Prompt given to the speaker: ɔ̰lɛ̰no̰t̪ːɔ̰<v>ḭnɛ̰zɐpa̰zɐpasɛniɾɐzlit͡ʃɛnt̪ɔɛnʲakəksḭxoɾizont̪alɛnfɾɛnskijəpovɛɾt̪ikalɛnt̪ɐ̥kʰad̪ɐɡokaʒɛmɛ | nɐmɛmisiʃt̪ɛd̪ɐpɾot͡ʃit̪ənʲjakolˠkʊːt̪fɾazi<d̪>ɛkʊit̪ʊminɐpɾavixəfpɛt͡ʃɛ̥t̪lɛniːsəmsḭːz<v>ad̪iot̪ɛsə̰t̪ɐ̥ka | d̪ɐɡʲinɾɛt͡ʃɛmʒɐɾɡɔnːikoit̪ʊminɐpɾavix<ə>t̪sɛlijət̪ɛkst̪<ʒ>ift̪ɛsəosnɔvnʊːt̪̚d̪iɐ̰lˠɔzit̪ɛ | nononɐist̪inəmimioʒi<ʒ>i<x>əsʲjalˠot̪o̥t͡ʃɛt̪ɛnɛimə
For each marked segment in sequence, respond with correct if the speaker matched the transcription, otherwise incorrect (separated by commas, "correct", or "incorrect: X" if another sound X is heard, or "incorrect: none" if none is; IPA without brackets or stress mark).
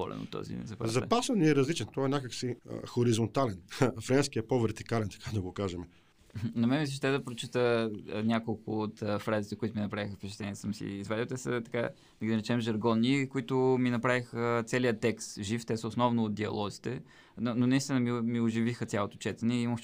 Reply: incorrect: z, incorrect: t̪, correct, correct, correct, incorrect: v, correct